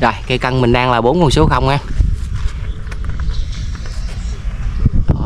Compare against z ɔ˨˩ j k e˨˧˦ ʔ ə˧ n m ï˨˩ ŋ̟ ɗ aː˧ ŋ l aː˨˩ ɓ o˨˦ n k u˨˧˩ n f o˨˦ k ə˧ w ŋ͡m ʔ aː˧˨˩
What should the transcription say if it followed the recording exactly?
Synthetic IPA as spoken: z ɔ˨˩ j k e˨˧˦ k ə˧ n m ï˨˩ ŋ̟ ɗ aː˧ ŋ l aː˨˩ ɓ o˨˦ n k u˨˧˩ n s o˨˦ x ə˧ w ŋ͡m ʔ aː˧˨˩